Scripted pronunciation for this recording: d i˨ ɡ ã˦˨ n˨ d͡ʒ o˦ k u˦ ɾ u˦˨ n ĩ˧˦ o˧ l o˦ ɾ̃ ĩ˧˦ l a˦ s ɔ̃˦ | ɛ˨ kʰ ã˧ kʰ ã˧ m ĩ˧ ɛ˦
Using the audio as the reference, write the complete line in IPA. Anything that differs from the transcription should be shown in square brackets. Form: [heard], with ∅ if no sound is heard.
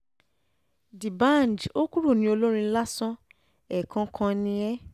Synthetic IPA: d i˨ [b] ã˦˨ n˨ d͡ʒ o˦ k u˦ ɾ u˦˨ n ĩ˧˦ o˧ l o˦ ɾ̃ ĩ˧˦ l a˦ s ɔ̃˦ | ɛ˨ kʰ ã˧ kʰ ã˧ [n] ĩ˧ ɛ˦